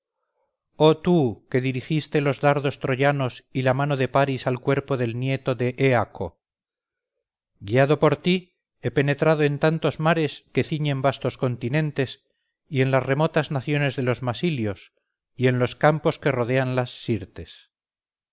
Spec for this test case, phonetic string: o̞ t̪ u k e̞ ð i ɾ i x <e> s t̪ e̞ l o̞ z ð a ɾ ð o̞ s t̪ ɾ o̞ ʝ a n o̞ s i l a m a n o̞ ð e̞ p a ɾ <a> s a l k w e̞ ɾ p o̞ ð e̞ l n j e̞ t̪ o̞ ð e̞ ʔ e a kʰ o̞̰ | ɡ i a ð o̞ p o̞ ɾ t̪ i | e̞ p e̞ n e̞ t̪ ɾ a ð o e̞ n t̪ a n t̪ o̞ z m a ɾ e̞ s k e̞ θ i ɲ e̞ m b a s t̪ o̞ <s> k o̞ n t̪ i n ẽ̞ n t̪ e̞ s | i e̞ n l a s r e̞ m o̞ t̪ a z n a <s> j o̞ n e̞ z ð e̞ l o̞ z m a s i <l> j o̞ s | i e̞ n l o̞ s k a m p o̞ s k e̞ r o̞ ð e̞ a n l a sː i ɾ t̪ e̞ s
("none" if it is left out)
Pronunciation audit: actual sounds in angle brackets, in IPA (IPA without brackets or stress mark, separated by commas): i, i, s, θ, l